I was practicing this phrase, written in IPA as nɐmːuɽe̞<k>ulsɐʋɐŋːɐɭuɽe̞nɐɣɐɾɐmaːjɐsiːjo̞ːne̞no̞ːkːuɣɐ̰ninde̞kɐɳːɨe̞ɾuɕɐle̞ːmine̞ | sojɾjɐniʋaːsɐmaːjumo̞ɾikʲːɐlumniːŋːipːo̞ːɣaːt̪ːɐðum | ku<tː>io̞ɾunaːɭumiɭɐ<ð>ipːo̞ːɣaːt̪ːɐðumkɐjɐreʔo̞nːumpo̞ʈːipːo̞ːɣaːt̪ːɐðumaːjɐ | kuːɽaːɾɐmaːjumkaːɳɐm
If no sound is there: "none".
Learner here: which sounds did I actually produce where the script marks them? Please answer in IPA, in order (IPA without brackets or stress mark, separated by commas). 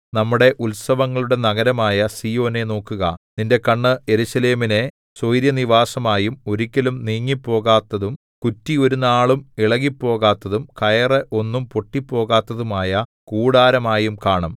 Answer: ʔ, tː, ɣ